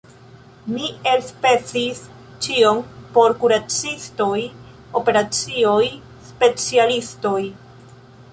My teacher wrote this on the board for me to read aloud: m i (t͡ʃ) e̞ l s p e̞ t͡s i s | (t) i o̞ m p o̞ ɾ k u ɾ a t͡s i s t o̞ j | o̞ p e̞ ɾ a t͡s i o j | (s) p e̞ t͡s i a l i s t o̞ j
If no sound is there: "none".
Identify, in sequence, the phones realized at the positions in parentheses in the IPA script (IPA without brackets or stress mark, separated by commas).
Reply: none, t͡ʃ, s